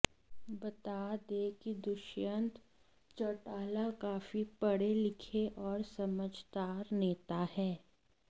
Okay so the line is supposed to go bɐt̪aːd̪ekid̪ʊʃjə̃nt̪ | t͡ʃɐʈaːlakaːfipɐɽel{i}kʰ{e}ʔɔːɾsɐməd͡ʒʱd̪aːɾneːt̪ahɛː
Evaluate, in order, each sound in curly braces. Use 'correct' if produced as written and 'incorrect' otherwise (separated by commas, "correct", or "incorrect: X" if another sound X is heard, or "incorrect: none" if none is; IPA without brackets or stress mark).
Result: incorrect: ɪ, correct